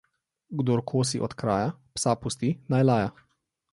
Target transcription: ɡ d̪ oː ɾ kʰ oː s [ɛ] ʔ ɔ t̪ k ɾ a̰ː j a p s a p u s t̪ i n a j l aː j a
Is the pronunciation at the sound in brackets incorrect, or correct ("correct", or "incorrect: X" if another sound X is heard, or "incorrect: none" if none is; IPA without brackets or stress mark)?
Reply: incorrect: i